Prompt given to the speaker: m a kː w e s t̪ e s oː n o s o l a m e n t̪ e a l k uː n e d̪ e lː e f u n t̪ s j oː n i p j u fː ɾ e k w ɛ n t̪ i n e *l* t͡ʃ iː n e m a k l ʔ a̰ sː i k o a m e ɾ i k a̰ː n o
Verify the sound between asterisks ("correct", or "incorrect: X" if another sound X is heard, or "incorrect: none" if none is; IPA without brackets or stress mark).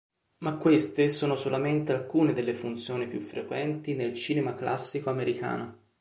correct